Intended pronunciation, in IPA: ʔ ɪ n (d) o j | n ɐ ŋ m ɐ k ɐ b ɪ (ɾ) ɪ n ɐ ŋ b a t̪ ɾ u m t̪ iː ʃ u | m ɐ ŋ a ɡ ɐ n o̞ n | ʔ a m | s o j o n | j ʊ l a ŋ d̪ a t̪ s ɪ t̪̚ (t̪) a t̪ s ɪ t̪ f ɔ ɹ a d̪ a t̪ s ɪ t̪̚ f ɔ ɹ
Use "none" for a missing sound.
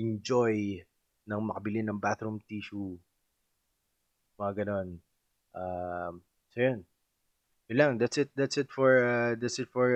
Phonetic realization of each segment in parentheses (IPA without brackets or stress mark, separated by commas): d͡ʒ, l, d̪